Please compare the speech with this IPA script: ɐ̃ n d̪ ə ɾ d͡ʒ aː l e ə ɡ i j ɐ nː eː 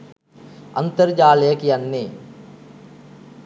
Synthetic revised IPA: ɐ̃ n t̪ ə ɾ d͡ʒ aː l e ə k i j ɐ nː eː